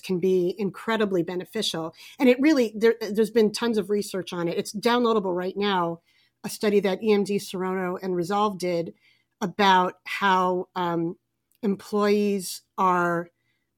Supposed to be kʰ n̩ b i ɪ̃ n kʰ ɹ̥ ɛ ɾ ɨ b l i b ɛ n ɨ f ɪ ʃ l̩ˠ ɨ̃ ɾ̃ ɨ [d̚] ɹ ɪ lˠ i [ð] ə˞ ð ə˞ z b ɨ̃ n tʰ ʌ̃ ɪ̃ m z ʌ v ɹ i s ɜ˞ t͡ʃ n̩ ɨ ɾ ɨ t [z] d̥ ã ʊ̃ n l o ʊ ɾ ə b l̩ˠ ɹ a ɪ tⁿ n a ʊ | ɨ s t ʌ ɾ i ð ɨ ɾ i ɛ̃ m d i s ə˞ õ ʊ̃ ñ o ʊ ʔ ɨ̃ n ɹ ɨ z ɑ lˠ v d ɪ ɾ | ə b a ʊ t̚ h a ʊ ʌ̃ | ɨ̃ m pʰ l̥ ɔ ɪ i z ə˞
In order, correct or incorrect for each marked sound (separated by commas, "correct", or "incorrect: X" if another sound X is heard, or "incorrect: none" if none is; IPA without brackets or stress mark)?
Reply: incorrect: t̚, correct, incorrect: s